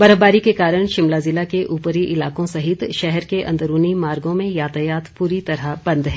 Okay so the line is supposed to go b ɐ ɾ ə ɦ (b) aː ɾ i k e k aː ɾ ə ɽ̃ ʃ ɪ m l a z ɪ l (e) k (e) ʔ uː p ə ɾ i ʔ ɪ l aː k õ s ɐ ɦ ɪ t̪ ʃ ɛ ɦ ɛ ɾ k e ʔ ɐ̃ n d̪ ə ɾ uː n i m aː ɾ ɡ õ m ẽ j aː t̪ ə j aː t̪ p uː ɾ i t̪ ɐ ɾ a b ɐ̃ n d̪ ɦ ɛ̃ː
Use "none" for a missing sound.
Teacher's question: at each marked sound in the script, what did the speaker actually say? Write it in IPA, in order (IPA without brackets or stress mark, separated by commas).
b, a, e